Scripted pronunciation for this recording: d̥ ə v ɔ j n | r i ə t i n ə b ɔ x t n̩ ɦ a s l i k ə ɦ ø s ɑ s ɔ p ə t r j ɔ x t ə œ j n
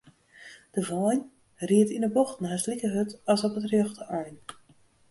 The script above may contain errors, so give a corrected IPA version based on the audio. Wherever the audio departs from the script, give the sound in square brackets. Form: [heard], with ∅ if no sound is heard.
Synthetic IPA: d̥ ə v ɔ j n | r i ə t i n ə b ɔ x t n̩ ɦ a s l i k ə ɦ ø [t] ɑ s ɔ p ə t r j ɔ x t ə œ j n